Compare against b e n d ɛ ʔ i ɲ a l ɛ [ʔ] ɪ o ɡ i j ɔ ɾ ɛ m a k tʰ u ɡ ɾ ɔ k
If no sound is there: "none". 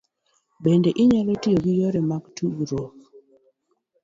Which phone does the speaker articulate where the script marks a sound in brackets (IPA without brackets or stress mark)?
t